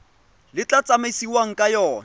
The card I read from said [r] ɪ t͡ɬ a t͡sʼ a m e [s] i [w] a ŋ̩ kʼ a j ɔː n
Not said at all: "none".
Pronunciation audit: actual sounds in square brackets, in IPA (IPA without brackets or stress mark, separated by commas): l, s, w